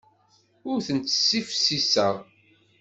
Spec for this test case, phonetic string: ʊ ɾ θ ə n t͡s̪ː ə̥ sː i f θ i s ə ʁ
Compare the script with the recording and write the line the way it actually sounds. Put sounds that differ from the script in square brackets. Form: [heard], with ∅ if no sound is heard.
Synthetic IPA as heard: ʊ ɾ θ ə n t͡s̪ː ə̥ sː i f [s] i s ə ʁ